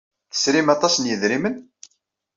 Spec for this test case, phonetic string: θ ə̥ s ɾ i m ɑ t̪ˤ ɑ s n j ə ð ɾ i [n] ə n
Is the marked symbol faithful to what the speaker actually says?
no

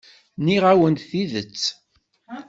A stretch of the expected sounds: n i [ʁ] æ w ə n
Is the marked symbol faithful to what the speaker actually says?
yes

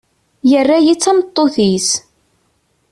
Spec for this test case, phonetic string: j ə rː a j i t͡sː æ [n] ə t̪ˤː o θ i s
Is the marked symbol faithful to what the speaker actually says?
no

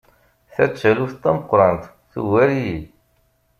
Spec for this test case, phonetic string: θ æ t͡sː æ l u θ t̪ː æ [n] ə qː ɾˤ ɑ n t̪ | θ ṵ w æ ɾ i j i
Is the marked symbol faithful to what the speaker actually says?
no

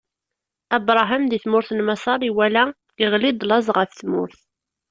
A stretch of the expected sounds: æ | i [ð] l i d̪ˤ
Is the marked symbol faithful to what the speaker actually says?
no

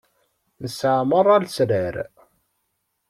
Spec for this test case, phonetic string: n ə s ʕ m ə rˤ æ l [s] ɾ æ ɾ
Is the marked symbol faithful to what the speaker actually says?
yes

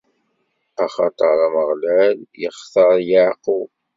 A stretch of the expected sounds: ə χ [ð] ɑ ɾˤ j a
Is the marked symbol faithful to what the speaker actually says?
no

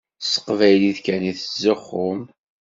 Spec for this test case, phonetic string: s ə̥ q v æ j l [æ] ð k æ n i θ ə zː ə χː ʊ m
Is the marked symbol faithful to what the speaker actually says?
no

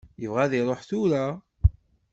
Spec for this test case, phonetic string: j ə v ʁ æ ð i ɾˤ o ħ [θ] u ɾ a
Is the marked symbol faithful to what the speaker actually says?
yes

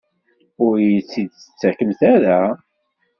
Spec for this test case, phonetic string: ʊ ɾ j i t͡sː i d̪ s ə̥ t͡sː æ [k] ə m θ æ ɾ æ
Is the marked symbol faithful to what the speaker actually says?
yes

